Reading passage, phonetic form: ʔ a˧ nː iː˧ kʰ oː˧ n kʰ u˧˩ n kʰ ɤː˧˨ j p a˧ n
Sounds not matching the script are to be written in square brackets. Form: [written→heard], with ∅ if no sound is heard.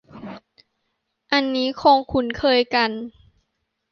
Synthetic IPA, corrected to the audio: ʔ a˧ nː [iː˧→iː˦˥] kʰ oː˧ [n→ŋ] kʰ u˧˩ n kʰ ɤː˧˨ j [p→k] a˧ n

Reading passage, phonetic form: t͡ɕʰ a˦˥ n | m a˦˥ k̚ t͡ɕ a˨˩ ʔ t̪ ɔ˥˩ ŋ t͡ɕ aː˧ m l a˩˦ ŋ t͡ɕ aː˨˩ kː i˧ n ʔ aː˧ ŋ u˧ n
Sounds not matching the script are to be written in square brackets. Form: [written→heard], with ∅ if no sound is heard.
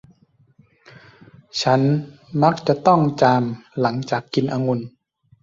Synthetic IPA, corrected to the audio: t͡ɕʰ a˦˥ n | m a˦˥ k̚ t͡ɕ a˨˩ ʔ t̪ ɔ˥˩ ŋ t͡ɕ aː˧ m l a˩˦ ŋ t͡ɕ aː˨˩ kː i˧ n ʔ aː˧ ŋ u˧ n

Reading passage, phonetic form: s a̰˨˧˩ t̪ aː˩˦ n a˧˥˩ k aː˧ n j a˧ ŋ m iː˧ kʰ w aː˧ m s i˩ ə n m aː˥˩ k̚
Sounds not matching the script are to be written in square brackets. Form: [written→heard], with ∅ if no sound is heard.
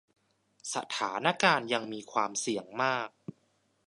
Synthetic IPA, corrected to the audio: s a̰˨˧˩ [t̪→t̪ʰ] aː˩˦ n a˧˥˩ k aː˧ n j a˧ ŋ m iː˧ kʰ w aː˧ m s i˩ ə [n→ŋ] m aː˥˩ k̚

